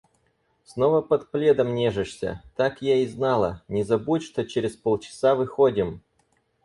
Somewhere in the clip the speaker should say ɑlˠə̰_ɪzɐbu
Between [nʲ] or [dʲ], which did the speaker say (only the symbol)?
nʲ